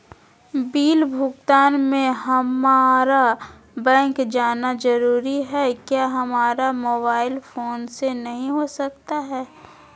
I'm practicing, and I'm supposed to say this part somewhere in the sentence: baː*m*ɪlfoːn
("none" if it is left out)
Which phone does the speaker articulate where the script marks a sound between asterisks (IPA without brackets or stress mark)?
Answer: none